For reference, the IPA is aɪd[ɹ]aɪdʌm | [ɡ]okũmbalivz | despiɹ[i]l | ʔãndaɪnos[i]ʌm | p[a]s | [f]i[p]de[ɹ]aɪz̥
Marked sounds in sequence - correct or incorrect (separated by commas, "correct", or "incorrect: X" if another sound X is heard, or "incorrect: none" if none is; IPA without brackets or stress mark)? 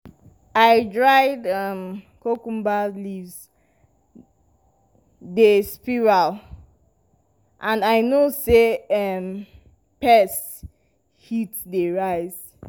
correct, incorrect: k, incorrect: a, incorrect: e, incorrect: ɛ, incorrect: h, incorrect: t, correct